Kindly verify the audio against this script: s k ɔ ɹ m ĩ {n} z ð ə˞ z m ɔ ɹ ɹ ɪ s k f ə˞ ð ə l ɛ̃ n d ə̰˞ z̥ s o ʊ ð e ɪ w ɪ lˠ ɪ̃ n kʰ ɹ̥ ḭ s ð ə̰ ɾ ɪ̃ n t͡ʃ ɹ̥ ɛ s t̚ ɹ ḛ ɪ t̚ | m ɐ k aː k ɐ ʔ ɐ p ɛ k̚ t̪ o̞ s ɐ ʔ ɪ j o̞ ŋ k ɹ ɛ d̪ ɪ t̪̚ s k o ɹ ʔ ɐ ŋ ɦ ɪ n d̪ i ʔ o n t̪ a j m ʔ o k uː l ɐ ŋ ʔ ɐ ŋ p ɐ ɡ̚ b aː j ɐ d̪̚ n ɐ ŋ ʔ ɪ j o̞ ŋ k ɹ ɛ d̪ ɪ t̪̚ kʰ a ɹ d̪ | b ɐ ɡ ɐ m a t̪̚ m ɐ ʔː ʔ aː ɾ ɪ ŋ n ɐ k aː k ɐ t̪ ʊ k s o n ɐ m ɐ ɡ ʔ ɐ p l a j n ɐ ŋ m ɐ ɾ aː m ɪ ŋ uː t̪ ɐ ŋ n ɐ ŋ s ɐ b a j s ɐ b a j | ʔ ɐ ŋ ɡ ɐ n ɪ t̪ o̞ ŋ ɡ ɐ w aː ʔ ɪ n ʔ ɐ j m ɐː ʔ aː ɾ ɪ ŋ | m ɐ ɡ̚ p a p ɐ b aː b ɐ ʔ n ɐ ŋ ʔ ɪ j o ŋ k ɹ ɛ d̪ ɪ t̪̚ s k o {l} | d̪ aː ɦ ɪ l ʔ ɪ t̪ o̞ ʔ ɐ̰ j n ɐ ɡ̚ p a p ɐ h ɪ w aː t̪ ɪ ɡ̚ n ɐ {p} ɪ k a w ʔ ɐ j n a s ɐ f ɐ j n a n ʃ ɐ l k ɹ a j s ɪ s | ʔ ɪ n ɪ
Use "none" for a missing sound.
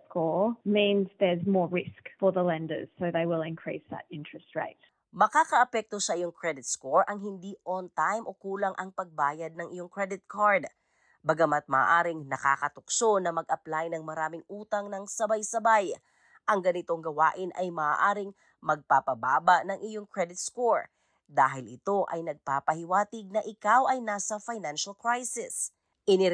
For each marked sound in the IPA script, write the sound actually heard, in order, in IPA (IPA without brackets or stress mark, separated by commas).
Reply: n, ɹ, ʔ